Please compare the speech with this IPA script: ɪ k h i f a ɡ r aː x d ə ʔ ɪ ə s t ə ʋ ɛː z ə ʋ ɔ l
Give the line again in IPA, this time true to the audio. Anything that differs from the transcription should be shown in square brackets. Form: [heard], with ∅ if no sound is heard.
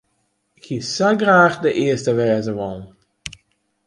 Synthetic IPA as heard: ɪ k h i [s] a ɡ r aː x d ə ʔ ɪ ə s t ə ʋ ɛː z ə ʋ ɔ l